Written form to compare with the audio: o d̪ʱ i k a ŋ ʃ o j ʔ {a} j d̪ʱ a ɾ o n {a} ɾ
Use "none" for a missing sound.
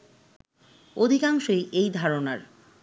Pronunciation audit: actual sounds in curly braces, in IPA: e, a

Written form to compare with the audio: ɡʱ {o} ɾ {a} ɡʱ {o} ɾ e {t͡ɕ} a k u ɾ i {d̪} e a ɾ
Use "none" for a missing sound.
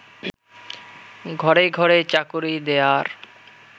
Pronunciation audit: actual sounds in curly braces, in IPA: ɔ, e, ɔ, t͡ɕ, d̪

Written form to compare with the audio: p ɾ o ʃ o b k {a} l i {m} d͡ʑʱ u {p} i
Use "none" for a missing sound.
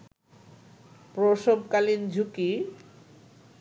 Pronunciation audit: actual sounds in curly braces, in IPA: a, n, k

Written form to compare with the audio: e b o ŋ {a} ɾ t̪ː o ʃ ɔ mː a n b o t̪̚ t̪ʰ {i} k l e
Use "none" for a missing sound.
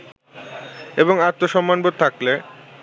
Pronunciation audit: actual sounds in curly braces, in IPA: a, a

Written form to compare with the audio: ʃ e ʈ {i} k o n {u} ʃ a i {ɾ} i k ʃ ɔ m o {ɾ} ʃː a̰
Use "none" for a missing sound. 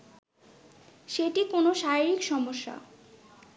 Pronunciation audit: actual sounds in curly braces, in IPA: i, o, ɾ, none

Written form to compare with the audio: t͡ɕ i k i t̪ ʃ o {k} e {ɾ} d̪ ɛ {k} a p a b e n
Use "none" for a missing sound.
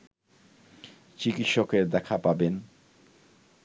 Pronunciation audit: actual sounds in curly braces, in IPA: k, ɾ, kʰ

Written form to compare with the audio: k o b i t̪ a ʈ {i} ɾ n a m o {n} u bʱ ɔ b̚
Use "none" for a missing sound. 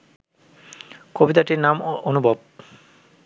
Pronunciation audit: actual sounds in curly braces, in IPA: i, n

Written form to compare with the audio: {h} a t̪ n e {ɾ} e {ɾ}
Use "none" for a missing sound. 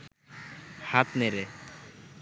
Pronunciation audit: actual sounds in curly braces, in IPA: h, ɾ, none

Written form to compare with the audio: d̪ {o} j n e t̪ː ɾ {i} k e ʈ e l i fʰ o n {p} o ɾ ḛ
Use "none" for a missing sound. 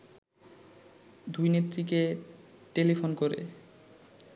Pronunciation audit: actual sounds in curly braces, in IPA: u, i, k

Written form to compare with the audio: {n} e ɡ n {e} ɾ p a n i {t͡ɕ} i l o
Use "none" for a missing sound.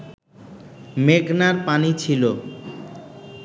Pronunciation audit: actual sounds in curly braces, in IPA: m, a, t͡ɕʰ

